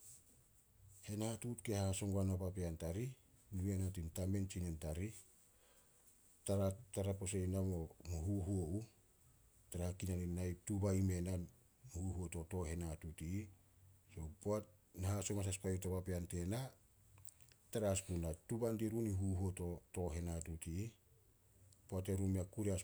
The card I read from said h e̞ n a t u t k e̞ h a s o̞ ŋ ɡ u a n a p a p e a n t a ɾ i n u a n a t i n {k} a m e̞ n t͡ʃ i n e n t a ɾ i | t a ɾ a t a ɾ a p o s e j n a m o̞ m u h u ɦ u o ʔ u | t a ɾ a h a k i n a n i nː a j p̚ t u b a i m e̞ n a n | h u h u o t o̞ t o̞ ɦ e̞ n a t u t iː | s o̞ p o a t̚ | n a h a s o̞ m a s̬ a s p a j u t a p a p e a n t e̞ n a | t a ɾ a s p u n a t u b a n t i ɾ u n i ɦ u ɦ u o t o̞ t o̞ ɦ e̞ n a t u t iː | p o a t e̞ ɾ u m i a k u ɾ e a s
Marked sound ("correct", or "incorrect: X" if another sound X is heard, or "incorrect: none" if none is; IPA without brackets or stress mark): incorrect: t